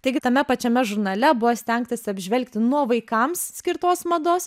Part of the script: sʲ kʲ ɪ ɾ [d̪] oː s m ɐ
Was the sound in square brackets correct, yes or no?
no